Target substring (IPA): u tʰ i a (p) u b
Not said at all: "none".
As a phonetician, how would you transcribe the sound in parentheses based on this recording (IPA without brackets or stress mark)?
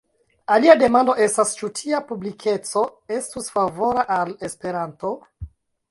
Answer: p